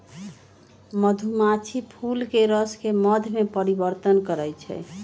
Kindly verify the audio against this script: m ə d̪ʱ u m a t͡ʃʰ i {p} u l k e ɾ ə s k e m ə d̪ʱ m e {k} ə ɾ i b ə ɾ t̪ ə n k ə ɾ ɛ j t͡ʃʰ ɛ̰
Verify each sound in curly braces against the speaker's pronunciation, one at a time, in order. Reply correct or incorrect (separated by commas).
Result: incorrect, incorrect